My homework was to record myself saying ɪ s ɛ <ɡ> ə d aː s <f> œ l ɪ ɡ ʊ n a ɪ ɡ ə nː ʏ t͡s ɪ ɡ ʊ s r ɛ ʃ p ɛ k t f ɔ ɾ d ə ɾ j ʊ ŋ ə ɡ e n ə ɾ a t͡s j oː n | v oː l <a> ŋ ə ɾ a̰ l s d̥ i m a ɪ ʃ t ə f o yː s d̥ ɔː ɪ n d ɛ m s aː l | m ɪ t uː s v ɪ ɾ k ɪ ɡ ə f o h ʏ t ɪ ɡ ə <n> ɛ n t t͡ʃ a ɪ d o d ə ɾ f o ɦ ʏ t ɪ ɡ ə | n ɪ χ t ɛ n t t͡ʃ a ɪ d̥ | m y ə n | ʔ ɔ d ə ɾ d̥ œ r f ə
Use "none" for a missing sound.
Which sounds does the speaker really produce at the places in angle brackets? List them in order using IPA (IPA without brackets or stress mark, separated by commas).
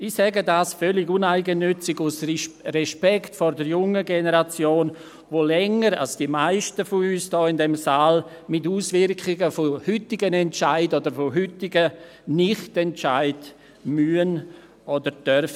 ɡ, f, ɛ, n